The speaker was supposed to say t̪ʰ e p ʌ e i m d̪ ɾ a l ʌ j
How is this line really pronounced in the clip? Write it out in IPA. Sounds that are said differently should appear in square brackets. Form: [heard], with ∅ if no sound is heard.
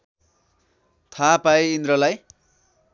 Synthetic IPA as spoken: t̪ʰ [a] p [a] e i [n] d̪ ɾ [ʌ] l [a] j